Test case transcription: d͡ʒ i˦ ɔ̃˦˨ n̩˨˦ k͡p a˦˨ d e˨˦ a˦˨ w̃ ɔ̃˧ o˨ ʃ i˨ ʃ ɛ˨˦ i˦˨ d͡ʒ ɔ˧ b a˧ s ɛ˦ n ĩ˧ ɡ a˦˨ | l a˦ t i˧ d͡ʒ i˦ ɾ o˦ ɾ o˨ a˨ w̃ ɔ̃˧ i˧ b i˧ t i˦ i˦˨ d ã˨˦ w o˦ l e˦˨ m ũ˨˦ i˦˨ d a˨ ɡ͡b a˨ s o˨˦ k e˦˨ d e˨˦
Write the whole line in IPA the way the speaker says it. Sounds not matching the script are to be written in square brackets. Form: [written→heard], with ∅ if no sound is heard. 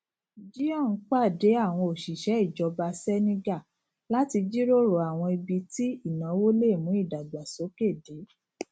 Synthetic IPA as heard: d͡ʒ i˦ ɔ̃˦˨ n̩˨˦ k͡p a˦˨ d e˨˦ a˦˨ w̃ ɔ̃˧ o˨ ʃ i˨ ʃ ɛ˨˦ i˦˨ d͡ʒ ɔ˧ b a˧ s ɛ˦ n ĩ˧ ɡ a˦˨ | l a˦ t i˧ d͡ʒ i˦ ɾ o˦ ɾ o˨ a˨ w̃ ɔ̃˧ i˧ b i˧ t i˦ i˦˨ [d→n] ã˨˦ w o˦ l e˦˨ m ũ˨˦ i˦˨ d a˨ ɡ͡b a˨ s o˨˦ k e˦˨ d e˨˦

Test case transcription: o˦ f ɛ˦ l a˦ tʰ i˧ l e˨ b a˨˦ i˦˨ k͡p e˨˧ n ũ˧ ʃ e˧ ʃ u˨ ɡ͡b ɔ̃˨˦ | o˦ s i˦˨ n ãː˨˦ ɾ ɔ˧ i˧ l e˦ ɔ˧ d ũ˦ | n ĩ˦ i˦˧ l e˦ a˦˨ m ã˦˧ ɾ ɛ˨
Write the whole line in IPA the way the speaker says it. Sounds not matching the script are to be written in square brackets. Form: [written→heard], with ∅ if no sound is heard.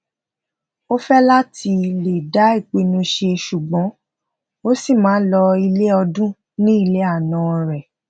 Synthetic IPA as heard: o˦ f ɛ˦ l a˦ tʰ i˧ l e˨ [b→d] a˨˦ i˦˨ k͡p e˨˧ n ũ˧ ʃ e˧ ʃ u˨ ɡ͡b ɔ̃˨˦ | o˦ s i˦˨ [n→m] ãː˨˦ [ɾ→l] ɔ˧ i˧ l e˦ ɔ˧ d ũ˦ | n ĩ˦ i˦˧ l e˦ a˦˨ [m→n] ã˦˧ ɾ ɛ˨

